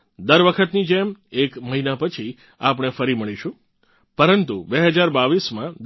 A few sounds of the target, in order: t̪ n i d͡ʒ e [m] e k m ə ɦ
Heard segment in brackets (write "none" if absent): m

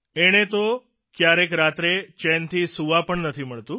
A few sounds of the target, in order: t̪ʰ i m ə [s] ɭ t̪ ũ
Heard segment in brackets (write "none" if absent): none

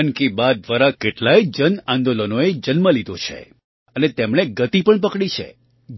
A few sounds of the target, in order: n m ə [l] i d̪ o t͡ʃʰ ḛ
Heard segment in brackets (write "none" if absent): l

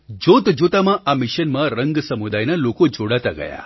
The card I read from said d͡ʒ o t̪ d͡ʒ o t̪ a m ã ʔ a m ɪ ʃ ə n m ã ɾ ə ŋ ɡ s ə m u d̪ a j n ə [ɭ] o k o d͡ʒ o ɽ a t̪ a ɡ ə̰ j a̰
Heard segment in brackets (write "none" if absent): l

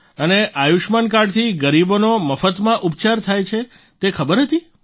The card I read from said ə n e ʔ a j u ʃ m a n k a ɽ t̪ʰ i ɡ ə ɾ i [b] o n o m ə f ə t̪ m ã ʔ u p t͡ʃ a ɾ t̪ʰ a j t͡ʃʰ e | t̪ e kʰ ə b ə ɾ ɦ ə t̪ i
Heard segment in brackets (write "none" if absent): b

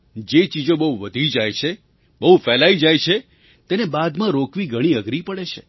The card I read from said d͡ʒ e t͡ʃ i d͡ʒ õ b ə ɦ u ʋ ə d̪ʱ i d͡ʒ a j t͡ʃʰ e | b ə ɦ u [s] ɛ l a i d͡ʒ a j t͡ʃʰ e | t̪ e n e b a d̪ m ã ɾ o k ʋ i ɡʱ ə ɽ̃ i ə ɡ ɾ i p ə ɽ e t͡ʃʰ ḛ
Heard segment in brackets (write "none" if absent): f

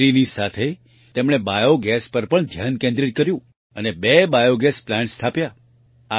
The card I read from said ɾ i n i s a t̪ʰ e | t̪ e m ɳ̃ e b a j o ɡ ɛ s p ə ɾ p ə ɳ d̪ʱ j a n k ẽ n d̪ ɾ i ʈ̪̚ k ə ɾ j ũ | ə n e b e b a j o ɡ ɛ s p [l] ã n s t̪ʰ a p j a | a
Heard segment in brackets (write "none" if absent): l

